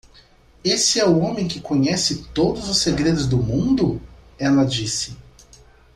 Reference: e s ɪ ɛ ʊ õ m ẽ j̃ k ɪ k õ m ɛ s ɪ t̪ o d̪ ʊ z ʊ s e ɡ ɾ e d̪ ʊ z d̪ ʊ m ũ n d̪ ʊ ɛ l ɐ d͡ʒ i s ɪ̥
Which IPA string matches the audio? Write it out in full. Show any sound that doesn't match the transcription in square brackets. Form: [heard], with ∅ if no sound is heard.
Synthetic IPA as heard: e s ɪ ɛ ʊ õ m ẽ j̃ k ɪ k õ [ɲ] ɛ s ɪ t̪ o d̪ ʊ z ʊ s e ɡ ɾ e d̪ ʊ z d̪ ʊ m ũ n d̪ ʊ ɛ l ɐ d͡ʒ i s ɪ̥